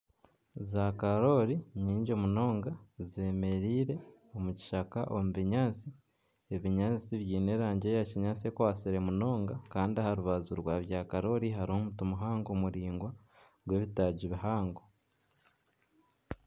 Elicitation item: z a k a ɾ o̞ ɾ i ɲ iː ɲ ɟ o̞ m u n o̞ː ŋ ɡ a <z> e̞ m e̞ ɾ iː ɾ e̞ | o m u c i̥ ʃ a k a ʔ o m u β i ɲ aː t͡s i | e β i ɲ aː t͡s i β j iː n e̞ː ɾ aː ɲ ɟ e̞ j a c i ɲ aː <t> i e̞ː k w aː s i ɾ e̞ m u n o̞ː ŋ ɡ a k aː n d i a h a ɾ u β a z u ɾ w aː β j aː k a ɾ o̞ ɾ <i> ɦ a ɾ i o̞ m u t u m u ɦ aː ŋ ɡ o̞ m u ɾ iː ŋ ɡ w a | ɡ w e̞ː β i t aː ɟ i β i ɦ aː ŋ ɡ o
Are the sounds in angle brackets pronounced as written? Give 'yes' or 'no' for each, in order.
yes, no, yes

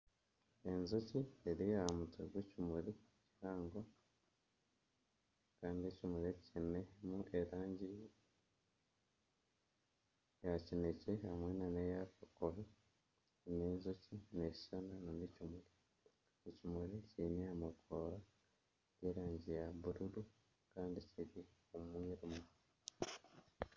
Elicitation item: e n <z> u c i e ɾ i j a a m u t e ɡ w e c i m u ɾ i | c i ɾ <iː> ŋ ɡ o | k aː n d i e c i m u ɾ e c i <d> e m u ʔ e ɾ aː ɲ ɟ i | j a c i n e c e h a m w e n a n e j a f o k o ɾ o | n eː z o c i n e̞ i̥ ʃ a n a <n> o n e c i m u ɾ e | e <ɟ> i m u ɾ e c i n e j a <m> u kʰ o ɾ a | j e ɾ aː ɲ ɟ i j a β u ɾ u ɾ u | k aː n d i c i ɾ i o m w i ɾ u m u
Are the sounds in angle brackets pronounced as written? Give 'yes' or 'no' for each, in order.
yes, no, no, yes, no, yes

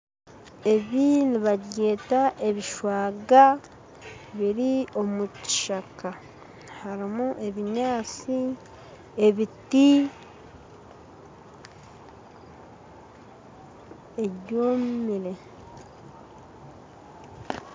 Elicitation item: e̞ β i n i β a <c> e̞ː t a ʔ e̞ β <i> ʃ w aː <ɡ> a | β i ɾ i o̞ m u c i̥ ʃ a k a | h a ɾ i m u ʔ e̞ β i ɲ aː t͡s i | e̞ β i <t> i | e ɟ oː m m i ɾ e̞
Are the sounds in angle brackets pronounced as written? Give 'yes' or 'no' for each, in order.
no, yes, yes, yes

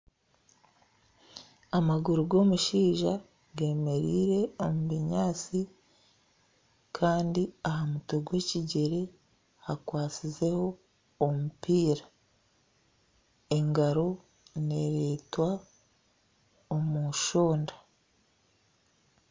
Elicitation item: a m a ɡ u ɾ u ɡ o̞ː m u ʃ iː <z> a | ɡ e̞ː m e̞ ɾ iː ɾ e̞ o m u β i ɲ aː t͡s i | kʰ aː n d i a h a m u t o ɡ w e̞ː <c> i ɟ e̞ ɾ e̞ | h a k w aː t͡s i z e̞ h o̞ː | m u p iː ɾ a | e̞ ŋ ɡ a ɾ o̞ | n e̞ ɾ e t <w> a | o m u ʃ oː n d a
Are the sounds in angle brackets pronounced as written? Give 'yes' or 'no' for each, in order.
no, yes, yes

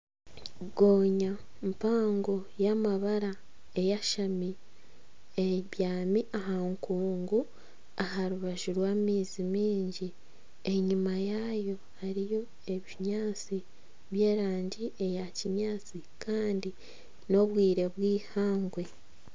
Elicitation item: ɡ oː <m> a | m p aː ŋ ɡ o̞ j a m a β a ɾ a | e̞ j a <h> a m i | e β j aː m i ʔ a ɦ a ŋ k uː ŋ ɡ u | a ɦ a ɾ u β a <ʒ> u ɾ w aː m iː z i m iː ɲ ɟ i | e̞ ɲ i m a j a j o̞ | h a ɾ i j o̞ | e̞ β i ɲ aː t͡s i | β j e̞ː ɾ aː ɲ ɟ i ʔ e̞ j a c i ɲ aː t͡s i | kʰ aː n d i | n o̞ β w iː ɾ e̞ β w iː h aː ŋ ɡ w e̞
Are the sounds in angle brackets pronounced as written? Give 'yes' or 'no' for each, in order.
no, no, yes

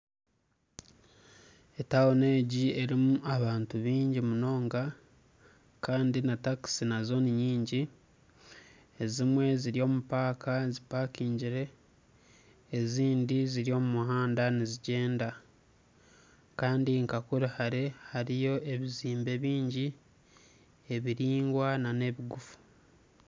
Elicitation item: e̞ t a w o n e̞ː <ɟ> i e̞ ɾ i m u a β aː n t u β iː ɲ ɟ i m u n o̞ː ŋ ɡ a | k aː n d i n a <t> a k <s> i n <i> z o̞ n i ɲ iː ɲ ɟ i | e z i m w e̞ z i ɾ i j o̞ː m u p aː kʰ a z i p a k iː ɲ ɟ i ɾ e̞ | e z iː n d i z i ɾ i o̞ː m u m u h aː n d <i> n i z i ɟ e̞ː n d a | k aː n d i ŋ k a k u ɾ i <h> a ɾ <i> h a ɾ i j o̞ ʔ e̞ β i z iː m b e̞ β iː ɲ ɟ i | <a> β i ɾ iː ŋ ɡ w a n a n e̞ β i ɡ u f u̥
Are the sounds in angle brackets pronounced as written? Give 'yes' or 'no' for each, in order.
yes, yes, yes, no, no, yes, no, no

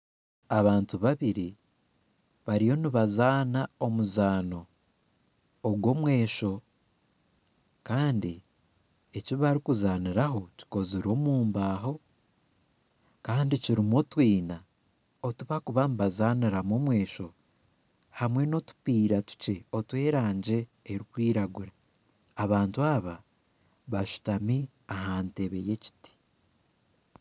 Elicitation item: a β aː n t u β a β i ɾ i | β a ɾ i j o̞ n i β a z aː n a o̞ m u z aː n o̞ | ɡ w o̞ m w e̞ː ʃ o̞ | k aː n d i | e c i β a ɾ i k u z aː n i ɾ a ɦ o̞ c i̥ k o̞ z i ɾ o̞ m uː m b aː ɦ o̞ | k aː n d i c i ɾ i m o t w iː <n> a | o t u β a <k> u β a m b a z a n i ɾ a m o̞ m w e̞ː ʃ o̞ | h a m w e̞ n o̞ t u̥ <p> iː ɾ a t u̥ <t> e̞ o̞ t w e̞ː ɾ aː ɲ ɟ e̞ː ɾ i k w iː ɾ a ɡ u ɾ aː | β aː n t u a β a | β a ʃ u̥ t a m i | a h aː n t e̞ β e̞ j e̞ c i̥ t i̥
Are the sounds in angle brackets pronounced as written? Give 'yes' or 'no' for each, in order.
yes, yes, yes, no

